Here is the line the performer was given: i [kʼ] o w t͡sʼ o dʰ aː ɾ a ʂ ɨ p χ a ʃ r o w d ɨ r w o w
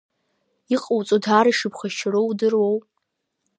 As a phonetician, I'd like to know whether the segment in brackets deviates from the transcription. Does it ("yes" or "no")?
yes